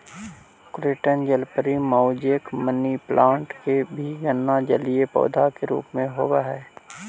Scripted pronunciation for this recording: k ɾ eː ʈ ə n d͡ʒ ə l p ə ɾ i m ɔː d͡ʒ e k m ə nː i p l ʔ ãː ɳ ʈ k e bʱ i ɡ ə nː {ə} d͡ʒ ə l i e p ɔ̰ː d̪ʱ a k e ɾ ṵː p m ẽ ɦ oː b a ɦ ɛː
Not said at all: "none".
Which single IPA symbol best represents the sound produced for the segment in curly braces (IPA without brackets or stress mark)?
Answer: a